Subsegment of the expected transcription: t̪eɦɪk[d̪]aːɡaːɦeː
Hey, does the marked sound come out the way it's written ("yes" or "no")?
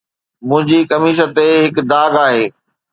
yes